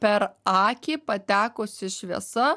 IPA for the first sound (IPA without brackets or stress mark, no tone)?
pʲ